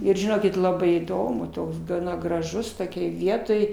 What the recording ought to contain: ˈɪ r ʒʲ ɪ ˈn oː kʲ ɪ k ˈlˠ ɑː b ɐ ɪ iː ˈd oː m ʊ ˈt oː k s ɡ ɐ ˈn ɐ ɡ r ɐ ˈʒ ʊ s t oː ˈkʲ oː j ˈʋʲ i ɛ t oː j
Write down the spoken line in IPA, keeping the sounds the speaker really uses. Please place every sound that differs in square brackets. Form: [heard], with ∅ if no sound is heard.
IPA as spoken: ˈɪ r ʒʲ ɪ ˈn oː kʲ ɪ [t] ˈlˠ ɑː b ɐ ɪ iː ˈd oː m ʊ ˈt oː k s ɡ ɐ ˈn ɐ ɡ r ɐ ˈʒ ʊ s t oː ˈkʲ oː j ˈʋʲ i ɛ t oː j